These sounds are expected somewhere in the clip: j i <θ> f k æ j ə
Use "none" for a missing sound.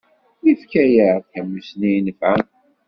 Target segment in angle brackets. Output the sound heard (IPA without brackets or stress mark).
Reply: none